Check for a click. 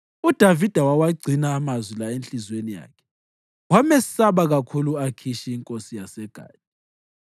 present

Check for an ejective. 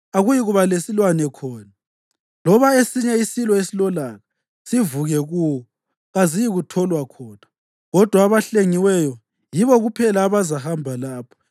absent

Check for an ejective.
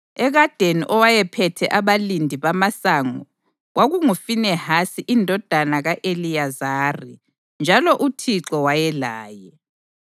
absent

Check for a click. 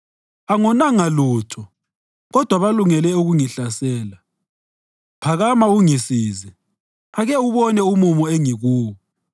absent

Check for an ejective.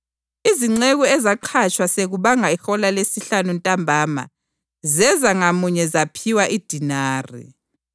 present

